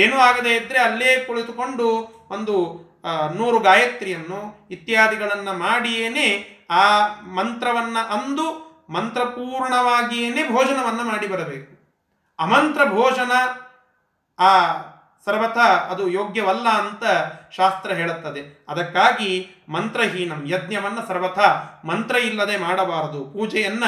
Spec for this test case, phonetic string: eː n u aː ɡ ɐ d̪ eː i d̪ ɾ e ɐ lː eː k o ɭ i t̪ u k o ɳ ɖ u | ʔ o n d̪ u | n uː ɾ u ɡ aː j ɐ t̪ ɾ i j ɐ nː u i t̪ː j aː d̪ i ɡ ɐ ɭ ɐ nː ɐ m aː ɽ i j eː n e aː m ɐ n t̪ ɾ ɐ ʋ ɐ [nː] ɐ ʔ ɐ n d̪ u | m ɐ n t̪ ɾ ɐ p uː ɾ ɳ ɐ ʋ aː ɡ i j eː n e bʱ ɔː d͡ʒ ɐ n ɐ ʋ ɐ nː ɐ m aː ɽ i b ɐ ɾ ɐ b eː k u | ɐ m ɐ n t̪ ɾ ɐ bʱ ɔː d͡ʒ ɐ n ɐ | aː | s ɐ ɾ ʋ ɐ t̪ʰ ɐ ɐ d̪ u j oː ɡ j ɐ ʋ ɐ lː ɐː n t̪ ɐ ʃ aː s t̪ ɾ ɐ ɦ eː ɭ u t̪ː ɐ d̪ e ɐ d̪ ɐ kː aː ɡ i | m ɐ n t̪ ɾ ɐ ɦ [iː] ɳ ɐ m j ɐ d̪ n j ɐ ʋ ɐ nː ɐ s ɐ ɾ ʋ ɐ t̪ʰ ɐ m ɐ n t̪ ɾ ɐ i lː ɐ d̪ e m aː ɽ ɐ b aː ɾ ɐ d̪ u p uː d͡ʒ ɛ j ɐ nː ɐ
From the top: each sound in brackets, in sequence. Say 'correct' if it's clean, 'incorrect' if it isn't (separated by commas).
correct, correct